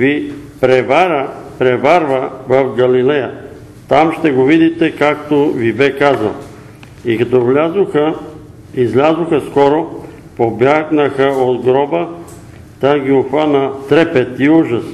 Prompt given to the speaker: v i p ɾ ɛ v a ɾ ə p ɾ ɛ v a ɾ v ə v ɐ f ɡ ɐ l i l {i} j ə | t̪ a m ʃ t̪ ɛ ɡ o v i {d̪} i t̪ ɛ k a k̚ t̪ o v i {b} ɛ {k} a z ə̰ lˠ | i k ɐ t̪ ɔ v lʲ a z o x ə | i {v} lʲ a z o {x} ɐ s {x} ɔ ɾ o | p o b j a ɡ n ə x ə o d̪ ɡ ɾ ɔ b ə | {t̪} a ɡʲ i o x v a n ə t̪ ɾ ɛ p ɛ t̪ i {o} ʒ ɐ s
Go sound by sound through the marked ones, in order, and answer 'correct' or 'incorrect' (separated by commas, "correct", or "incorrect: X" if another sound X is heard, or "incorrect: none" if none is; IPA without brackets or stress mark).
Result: incorrect: ɛ, correct, correct, correct, incorrect: z, correct, incorrect: k, correct, incorrect: u